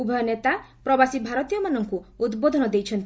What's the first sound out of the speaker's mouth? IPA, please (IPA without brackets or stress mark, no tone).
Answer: u